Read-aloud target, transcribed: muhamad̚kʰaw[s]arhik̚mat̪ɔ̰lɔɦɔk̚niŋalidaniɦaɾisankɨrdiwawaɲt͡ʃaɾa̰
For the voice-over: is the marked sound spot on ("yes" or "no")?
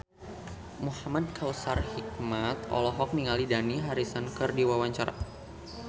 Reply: yes